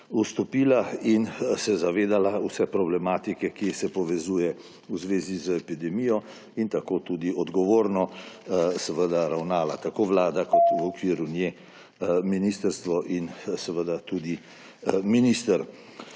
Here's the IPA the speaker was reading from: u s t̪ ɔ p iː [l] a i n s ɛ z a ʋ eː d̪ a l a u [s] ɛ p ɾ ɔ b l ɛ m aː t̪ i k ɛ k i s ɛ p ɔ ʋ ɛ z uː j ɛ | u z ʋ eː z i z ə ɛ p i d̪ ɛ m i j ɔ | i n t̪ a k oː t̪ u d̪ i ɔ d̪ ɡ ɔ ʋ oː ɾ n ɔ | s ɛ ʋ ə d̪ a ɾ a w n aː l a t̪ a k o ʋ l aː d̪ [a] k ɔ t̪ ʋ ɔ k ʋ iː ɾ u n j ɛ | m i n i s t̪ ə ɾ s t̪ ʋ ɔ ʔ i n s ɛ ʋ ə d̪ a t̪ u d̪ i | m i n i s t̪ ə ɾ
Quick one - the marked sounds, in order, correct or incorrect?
correct, correct, correct

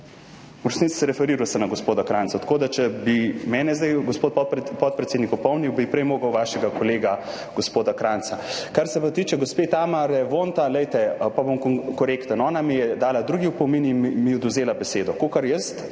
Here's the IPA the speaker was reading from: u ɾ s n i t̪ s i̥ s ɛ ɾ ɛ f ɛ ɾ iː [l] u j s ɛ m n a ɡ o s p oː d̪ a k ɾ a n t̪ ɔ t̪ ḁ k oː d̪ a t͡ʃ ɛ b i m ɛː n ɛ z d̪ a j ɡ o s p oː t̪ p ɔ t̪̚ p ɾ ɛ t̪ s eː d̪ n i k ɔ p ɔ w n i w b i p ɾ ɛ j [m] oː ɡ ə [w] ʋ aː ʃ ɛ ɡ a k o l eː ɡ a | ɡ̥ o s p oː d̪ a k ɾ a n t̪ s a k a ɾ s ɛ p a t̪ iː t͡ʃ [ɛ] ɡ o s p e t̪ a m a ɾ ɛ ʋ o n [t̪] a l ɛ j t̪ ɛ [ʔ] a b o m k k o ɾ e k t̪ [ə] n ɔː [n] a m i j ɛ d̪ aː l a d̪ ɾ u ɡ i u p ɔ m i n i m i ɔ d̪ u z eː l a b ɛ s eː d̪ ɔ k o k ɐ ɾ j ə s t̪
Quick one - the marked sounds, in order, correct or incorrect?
incorrect, correct, correct, correct, correct, incorrect, correct, correct

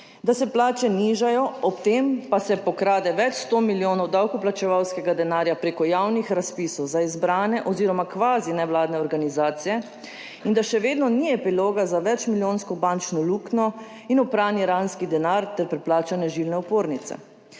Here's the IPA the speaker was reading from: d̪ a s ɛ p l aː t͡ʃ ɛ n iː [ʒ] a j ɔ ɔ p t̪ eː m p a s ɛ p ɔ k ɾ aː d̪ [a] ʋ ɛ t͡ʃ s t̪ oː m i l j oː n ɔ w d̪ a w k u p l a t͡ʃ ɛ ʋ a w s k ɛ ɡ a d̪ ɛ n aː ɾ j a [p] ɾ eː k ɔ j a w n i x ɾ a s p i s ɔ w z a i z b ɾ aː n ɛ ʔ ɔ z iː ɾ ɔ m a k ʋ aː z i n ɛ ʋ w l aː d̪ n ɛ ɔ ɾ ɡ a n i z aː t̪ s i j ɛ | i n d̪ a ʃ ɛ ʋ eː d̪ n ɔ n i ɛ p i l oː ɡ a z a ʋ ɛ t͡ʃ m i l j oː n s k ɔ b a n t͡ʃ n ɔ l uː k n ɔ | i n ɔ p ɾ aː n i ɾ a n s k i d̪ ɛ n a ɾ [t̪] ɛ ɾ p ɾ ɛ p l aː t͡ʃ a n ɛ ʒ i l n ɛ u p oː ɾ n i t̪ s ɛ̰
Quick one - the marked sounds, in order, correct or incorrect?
correct, incorrect, correct, correct

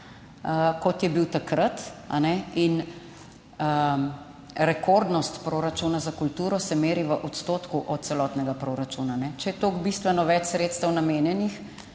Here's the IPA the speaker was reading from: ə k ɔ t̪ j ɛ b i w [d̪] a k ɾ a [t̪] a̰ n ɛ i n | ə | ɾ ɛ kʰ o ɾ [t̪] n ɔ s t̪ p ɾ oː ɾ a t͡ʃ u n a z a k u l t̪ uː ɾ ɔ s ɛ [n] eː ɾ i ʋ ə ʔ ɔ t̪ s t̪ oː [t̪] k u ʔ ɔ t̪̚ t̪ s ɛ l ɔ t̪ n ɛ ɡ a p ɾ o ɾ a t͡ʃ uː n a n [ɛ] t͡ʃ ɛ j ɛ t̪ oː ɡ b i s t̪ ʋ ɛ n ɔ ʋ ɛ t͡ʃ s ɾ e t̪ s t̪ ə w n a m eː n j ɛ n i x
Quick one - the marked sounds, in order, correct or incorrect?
incorrect, correct, incorrect, incorrect, correct, correct

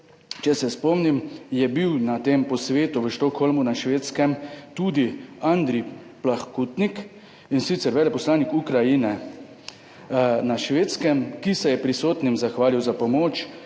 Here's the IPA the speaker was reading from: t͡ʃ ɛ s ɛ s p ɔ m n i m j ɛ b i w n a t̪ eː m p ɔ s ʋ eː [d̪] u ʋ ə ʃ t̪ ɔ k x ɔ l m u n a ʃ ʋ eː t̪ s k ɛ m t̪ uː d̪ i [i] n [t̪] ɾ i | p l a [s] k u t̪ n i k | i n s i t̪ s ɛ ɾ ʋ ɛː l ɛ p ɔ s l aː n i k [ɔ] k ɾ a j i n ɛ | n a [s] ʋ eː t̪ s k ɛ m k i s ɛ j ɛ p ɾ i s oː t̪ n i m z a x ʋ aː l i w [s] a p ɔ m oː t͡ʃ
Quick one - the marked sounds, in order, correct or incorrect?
incorrect, incorrect, incorrect, incorrect, incorrect, incorrect, incorrect

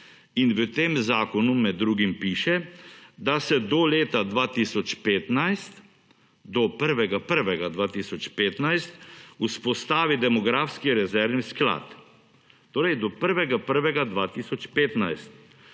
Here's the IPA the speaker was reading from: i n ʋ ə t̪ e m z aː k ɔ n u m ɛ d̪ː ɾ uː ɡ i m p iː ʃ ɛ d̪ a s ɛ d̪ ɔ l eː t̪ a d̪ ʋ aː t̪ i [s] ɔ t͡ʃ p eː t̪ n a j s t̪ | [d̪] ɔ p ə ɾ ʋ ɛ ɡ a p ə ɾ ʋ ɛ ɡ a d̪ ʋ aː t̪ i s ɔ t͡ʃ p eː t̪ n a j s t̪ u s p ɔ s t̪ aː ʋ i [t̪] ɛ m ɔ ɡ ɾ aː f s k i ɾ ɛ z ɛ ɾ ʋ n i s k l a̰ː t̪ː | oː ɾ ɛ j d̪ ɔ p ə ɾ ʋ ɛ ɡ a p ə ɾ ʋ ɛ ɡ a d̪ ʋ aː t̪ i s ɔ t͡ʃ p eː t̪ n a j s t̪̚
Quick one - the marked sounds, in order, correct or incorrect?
correct, correct, incorrect

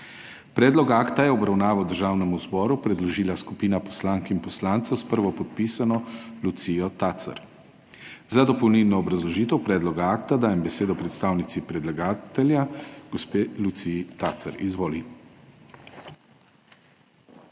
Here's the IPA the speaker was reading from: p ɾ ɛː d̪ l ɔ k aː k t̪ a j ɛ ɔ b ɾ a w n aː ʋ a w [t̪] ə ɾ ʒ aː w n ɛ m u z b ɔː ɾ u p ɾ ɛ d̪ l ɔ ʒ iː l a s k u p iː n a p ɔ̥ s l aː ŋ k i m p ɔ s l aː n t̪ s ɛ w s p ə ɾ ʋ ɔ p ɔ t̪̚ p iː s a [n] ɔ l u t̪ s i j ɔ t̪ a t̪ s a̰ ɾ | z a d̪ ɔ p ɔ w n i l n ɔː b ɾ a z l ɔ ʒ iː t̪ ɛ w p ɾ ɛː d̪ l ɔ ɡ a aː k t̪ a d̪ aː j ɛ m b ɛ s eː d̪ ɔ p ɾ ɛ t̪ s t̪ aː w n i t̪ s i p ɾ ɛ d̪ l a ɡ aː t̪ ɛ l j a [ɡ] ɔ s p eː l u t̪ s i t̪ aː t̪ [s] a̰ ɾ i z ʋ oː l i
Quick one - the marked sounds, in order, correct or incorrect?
incorrect, correct, correct, correct

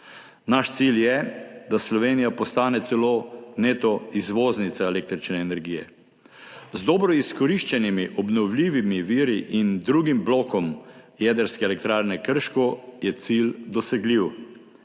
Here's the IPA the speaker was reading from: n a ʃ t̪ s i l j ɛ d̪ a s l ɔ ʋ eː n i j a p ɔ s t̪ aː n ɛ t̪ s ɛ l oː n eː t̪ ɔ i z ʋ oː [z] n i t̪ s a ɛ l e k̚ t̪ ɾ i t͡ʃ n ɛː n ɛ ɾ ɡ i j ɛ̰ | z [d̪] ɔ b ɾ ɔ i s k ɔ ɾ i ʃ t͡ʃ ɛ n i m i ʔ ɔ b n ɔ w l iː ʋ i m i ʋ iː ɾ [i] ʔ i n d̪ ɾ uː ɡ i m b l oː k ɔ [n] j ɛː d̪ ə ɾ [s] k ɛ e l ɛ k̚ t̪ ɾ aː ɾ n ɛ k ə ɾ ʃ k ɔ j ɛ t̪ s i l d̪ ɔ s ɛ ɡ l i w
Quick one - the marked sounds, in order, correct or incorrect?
correct, correct, correct, incorrect, correct

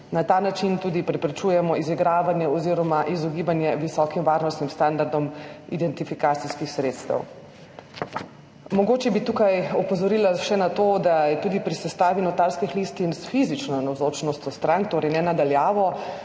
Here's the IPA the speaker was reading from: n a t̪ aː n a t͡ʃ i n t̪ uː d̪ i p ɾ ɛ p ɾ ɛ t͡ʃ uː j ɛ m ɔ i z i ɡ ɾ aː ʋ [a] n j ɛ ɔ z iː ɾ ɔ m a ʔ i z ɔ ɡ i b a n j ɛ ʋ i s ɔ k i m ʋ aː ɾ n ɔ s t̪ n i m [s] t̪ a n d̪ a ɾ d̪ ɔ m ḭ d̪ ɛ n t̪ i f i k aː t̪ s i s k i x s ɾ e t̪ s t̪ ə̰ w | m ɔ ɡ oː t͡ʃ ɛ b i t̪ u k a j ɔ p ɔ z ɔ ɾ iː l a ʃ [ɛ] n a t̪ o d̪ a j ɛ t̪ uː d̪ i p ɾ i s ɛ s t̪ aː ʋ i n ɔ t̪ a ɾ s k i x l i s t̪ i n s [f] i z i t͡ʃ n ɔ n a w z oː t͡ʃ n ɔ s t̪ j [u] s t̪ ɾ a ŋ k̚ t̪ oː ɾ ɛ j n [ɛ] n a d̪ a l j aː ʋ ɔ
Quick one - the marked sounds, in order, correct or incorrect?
correct, correct, correct, correct, incorrect, correct

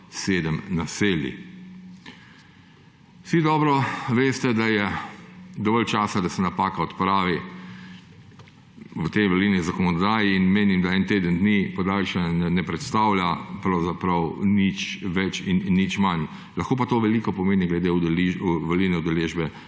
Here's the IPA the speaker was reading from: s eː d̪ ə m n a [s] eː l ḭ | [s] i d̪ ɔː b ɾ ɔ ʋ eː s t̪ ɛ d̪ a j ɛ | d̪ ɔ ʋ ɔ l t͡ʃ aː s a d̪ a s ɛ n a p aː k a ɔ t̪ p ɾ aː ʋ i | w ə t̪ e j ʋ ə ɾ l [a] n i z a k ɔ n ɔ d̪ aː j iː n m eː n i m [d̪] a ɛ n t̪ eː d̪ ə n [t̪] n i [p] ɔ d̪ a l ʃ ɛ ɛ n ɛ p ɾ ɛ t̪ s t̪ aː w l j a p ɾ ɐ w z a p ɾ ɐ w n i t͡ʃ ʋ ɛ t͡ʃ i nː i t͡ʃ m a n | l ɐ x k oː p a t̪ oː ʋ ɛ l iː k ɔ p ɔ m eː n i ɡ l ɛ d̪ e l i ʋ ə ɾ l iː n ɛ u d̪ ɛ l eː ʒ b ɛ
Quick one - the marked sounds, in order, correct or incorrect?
correct, correct, incorrect, correct, incorrect, correct

